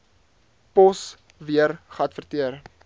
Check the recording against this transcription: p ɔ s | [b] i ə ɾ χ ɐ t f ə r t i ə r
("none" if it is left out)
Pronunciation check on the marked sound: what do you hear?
v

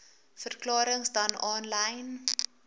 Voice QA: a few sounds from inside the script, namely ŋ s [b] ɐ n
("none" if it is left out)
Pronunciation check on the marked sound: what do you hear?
d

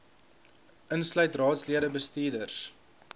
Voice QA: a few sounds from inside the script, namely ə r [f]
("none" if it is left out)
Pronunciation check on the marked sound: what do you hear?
s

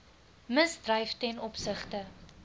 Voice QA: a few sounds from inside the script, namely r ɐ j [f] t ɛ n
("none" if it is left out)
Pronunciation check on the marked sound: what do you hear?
f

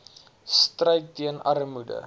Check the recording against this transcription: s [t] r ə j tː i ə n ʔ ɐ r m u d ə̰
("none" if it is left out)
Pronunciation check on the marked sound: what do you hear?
t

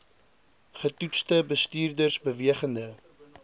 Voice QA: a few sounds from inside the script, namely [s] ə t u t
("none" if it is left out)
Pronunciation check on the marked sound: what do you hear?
χ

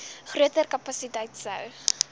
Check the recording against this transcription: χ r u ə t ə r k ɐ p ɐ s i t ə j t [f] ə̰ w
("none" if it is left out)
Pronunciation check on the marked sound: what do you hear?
s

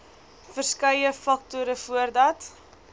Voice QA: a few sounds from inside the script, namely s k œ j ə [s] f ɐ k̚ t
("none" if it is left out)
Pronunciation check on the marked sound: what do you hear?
none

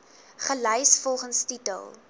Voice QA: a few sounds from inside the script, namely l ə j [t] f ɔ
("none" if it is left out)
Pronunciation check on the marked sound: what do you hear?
s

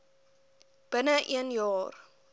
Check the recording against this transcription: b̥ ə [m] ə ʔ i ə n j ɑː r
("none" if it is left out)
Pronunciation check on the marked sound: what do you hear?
n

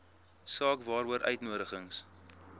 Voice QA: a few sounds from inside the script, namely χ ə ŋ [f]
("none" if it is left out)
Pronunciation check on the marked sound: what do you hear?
s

